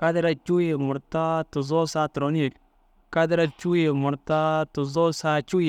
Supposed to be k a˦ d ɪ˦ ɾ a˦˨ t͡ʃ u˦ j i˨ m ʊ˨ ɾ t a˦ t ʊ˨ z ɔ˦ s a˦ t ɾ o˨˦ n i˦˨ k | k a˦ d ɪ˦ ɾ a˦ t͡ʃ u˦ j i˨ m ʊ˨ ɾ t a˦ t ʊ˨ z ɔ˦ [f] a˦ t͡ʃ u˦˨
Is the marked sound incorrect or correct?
incorrect